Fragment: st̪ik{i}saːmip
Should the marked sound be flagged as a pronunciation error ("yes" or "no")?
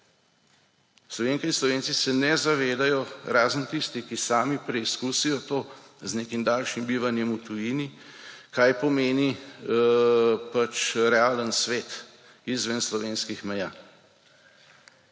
no